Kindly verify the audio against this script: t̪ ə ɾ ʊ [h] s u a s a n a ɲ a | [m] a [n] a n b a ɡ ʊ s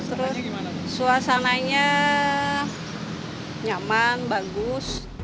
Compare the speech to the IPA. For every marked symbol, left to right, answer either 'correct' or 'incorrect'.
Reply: incorrect: s, incorrect: ɲ, incorrect: m

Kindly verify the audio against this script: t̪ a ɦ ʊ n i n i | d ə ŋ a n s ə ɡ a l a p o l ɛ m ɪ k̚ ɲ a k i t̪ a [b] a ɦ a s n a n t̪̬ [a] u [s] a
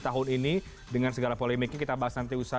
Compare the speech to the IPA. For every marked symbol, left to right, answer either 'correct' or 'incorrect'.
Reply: correct, incorrect: i, correct

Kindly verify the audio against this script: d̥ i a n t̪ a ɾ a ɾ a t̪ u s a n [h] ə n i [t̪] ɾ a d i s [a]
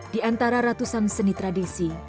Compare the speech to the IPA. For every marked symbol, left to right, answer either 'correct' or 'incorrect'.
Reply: incorrect: s, correct, incorrect: i

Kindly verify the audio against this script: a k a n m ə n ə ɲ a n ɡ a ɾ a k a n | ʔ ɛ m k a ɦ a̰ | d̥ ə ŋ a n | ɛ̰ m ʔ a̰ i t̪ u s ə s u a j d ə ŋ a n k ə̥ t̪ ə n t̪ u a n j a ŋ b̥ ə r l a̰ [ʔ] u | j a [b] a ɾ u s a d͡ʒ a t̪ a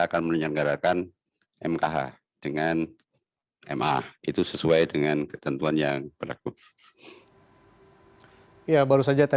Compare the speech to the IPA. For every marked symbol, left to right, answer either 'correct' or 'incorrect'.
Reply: incorrect: k, correct

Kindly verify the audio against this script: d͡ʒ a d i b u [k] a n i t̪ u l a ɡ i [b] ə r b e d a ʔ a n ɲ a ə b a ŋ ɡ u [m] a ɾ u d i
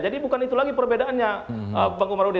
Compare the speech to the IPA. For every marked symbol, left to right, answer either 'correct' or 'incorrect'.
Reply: correct, incorrect: p, correct

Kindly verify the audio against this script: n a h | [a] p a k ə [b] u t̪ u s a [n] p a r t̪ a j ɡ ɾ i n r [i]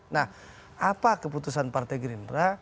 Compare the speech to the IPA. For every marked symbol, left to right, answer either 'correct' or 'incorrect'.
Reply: correct, incorrect: p, correct, incorrect: a

